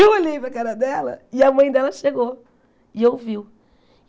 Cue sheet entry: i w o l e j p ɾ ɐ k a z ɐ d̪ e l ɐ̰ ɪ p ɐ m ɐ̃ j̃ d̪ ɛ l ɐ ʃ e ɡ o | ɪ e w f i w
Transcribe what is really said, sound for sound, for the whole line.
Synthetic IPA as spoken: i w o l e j p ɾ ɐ k a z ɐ d̪ ɛ l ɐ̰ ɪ ɐ m ɐ̃ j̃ d̪ ɛ l ɐ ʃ e ɡ o | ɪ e w v i w